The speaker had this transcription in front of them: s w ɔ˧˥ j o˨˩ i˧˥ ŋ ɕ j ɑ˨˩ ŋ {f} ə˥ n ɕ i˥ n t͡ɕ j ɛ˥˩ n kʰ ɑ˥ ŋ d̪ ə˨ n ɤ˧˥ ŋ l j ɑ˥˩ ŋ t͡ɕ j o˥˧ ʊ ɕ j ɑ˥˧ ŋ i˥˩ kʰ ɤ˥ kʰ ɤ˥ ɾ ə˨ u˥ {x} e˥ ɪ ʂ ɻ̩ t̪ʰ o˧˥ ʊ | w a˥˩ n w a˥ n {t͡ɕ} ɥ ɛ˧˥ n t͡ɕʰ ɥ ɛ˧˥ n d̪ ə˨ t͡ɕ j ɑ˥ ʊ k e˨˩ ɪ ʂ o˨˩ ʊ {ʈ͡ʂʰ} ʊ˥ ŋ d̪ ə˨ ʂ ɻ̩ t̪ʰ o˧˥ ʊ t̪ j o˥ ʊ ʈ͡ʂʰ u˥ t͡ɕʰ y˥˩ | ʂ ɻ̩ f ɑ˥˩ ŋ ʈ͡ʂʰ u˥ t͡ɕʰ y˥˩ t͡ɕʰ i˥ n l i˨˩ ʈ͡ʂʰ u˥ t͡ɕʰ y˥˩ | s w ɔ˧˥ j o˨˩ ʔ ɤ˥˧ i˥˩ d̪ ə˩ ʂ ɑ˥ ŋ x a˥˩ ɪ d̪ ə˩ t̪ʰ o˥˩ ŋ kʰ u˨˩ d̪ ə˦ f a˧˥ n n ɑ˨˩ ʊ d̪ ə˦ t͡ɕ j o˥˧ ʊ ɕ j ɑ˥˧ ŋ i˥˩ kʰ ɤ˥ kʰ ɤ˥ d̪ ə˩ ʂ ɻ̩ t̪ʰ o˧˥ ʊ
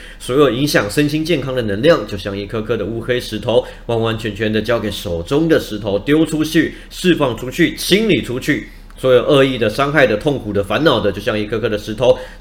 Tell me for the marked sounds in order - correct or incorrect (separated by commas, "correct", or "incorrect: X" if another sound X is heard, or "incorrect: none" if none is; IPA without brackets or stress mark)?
incorrect: ʂ, correct, incorrect: t͡ɕʰ, incorrect: ʈ͡ʂ